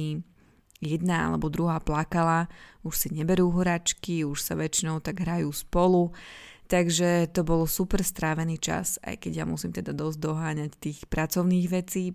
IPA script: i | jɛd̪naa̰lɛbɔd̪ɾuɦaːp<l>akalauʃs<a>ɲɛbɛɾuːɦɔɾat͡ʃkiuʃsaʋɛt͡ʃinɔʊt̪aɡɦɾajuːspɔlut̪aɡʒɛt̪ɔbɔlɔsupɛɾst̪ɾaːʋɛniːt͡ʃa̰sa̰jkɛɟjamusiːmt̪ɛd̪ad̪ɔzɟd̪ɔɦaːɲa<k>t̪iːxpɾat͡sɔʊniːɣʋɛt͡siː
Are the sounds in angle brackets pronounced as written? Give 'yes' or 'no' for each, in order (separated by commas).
yes, no, no